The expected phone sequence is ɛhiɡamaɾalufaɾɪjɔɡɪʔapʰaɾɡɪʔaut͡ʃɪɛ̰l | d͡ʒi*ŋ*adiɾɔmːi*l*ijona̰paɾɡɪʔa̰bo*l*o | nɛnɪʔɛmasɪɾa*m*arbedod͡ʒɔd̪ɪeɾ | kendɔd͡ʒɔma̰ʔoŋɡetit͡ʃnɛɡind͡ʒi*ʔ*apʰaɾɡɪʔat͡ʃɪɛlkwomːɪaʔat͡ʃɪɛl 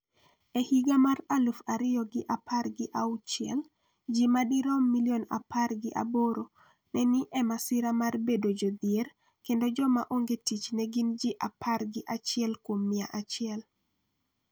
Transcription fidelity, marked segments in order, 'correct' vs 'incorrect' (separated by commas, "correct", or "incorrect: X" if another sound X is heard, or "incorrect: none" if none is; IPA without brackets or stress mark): incorrect: m, correct, incorrect: ɾ, correct, correct